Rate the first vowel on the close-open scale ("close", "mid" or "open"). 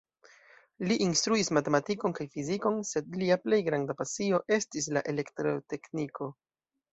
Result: close